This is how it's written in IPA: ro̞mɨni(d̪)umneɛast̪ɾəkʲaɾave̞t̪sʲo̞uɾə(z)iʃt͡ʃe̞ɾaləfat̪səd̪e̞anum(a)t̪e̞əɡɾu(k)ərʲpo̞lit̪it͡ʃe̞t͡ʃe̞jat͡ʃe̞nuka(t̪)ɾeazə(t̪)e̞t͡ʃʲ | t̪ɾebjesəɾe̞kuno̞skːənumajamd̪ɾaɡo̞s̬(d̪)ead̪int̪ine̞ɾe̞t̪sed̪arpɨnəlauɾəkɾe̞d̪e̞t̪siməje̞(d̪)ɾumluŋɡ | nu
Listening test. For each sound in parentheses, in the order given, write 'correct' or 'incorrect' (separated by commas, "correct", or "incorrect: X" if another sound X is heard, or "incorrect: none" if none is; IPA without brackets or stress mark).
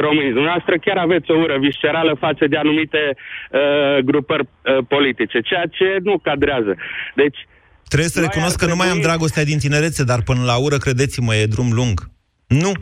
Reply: correct, incorrect: v, incorrect: i, incorrect: p, incorrect: d̪, incorrect: d̪, incorrect: t̪, correct